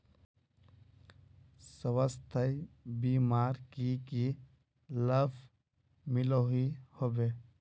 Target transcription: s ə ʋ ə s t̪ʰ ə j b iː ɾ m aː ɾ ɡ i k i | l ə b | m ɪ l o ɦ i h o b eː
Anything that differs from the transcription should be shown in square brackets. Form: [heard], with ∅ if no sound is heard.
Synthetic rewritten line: s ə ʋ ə s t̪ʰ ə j b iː [∅] m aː ɾ [k] i k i | l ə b | m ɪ l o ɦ i h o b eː